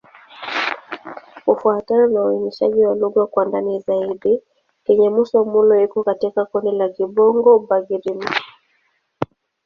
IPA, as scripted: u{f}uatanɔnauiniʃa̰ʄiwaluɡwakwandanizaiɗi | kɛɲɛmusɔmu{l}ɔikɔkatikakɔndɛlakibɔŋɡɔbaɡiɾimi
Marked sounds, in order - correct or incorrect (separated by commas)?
correct, correct